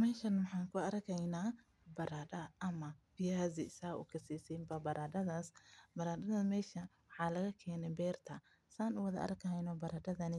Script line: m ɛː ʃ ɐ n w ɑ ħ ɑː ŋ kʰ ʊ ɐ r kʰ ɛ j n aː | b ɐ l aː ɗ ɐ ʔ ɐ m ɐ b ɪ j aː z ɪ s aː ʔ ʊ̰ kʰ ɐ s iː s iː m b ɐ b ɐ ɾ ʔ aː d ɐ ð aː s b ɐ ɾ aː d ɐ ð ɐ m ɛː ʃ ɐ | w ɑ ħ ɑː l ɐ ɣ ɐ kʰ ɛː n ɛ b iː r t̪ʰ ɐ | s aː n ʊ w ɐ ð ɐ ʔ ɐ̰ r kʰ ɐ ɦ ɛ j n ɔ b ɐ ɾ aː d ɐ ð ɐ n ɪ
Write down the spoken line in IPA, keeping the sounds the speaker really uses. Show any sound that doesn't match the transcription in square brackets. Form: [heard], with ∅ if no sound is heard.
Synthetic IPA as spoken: m ɛː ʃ ɐ n w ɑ ħ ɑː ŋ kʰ ʊ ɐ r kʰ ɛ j n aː | b ɐ [ɾ] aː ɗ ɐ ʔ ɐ m ɐ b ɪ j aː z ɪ s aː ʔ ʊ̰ kʰ ɐ s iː s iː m b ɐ b ɐ ɾ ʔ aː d ɐ ð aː s b ɐ ɾ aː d ɐ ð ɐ m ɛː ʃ ɐ | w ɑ ħ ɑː l ɐ ɣ ɐ kʰ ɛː n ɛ b [ɛː] r t̪ʰ ɐ | s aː n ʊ w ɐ ð ɐ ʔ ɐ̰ r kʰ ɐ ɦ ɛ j n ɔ b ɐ ɾ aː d ɐ ð ɐ n ɪ